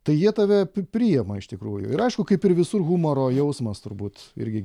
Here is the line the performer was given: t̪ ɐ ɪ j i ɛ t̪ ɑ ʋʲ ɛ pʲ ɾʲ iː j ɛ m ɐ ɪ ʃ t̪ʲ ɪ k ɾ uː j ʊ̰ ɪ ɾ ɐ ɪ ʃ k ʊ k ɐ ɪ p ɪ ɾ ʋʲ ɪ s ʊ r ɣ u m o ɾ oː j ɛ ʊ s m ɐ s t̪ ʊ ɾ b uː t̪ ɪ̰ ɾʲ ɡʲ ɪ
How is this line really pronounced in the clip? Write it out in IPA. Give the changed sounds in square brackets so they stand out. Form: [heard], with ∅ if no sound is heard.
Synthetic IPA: t̪ ɐ ɪ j i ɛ t̪ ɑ ʋʲ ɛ pʲ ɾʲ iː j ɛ m ɐ ɪ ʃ t̪ʲ ɪ k ɾ uː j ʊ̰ ɪ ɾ ɐ ɪ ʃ k ʊ k ɐ ɪ p ɪ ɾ ʋʲ ɪ s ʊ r ɣ u m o ɾ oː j ɛ ʊ s m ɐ s t̪ ʊ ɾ b uː t̪ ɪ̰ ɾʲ ɡʲ ɪ